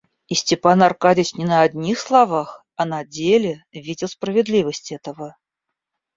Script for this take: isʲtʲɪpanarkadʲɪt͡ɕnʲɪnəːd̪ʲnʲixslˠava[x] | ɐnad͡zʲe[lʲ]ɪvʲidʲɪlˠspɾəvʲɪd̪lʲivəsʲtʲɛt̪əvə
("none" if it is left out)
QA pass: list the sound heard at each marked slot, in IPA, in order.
x, lʲ

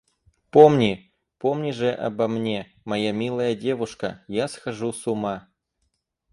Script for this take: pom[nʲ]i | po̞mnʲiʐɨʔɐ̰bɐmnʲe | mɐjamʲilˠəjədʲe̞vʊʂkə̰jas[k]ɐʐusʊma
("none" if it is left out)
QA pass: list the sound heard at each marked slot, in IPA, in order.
nʲ, x

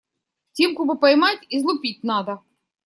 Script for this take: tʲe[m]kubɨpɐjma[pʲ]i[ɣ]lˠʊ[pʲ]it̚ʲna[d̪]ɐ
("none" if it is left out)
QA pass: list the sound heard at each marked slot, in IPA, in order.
m, tʲ, z, pʲ, d̪

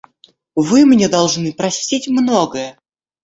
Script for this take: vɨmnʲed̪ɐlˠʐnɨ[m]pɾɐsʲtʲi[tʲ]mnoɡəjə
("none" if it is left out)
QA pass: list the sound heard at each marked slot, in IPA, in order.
none, tʲ

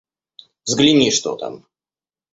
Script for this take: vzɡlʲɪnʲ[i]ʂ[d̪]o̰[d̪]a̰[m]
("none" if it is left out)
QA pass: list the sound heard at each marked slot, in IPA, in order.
i, t̪, t̪, m

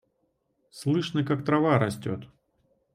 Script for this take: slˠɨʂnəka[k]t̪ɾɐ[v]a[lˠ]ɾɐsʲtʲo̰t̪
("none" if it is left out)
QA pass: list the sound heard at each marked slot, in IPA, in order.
k, v, none

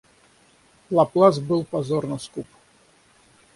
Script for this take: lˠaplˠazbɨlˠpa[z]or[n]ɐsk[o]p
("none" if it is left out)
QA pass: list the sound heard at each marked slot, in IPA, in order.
z, n, u

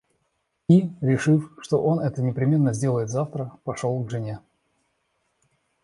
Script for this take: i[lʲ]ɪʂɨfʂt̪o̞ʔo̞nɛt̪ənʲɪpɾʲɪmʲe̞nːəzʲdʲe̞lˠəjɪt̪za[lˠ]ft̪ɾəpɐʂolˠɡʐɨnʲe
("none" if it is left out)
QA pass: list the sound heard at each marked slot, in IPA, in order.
ɾʲ, none

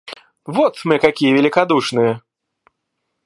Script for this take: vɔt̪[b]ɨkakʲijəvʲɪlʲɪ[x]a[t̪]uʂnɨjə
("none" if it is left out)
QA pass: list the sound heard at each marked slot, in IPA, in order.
m, k, d̪

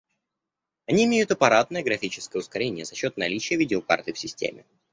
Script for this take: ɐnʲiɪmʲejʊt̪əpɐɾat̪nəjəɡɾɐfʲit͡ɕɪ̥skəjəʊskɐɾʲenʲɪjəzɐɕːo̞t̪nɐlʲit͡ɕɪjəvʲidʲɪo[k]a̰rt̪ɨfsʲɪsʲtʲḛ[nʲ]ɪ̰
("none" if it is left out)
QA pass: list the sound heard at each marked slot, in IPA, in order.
k, mʲ

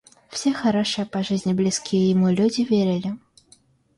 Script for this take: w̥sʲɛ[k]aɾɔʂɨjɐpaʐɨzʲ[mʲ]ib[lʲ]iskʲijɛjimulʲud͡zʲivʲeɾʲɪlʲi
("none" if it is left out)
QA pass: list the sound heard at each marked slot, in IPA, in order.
x, nʲ, lʲ

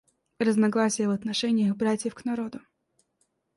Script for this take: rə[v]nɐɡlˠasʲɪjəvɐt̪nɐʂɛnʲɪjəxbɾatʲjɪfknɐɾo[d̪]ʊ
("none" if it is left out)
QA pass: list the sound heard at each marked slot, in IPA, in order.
z, d̪

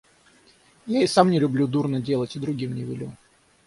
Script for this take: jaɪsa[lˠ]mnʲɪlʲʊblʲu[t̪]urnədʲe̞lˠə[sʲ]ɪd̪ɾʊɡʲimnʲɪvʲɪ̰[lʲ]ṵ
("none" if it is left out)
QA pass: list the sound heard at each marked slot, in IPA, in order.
none, d̪, tʲ, lʲ

